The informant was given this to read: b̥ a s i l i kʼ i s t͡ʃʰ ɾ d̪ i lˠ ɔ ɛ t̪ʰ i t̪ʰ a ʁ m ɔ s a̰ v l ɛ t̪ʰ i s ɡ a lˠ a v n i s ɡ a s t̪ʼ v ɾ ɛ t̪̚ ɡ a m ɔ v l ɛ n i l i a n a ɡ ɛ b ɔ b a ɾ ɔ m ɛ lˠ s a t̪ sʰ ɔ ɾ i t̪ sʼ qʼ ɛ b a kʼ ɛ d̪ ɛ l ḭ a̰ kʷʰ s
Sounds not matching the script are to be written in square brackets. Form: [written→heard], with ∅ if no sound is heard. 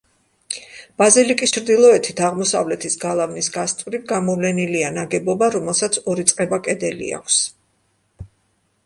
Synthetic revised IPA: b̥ a [s→z] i l i kʼ i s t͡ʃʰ ɾ d̪ i lˠ ɔ ɛ t̪ʰ i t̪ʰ a ʁ m ɔ s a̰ v l ɛ t̪ʰ i s ɡ a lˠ a v n i s ɡ a s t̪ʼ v ɾ [ɛ→i] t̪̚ ɡ a m ɔ v l ɛ n i l i a n a ɡ ɛ b ɔ b a ɾ ɔ m ɛ lˠ s a t̪ sʰ ɔ ɾ i t̪ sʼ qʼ ɛ b a kʼ ɛ d̪ ɛ l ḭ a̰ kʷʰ s

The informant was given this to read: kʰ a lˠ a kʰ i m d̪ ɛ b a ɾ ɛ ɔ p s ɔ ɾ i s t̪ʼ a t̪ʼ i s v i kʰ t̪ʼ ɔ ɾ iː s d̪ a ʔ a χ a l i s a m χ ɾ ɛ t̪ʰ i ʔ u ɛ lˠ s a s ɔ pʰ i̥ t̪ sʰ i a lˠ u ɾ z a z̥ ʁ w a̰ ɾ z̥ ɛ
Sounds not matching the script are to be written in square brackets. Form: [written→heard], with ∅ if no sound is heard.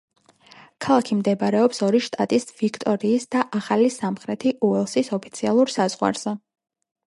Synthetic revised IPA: kʰ a lˠ a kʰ i m d̪ ɛ b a ɾ ɛ ɔ p s ɔ ɾ i [s→ʃ] t̪ʼ a t̪ʼ i s v i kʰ t̪ʼ ɔ ɾ iː s d̪ a ʔ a χ a l i s a m χ ɾ ɛ t̪ʰ i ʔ u ɛ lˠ s [a→i] s ɔ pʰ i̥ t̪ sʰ i a lˠ u ɾ [z→s] a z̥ ʁ w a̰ ɾ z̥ ɛ

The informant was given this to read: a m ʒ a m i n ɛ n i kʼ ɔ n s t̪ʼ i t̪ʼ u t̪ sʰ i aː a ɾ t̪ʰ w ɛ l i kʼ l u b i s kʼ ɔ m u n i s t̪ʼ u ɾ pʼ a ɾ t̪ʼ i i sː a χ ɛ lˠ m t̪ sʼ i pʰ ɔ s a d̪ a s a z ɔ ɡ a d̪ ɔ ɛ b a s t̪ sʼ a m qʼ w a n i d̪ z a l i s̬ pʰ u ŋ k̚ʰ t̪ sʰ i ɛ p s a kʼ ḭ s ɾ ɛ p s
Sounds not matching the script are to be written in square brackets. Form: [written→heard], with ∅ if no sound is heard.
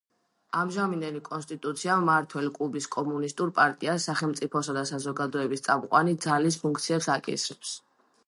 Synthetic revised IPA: a m ʒ a m i n ɛ n i kʼ ɔ n s t̪ʼ i t̪ʼ u t̪ sʰ i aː a ɾ t̪ʰ w ɛ l i kʼ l u b i s kʼ ɔ m u n i s t̪ʼ u ɾ pʼ a ɾ t̪ʼ i [i→a] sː a χ ɛ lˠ m t̪ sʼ i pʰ ɔ s a d̪ a s a z ɔ ɡ a d̪ ɔ ɛ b [a→i] s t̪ sʼ a m qʼ w a n i d̪ z a l i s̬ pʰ u ŋ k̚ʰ t̪ sʰ i ɛ p s a kʼ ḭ s ɾ ɛ p s

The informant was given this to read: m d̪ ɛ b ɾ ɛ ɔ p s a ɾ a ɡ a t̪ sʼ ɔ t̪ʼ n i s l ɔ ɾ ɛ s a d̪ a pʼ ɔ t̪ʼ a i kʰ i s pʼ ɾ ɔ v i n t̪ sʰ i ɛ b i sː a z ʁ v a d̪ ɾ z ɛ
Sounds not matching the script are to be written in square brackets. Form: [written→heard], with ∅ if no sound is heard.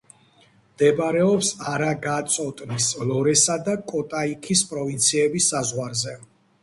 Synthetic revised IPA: m d̪ ɛ b ɾ ɛ ɔ p s a ɾ a ɡ a t̪ sʼ ɔ t̪ʼ n i s l ɔ ɾ ɛ s a d̪ a [pʼ→kʼ] ɔ t̪ʼ a i kʰ i s pʼ ɾ ɔ v i n t̪ sʰ i ɛ b i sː a z ʁ [v→w] a [d̪→∅] ɾ z ɛ

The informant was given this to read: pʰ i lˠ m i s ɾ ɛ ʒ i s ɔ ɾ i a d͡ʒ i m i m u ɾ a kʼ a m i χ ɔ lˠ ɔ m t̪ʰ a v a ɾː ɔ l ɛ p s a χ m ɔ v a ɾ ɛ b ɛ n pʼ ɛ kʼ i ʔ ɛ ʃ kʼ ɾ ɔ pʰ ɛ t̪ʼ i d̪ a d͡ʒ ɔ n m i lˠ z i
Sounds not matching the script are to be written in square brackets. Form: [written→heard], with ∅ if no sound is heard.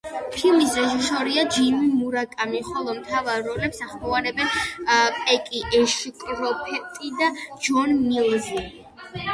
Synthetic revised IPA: pʰ i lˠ m i s ɾ ɛ ʒ i s ɔ ɾ i a d͡ʒ i m i m u ɾ a kʼ a m i χ ɔ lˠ ɔ m t̪ʰ a v a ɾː ɔ l ɛ p s a χ m ɔ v a ɾ ɛ b ɛ n pʼ ɛ kʼ i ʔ ɛ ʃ kʼ ɾ ɔ pʰ ɛ t̪ʼ i d̪ a d͡ʒ ɔ n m i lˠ z i

